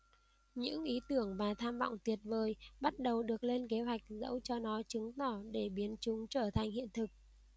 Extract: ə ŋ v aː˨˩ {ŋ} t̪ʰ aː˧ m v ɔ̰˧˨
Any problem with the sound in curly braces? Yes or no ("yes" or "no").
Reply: yes